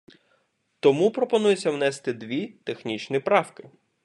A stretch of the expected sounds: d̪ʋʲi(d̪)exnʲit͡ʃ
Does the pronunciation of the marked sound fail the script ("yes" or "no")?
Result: yes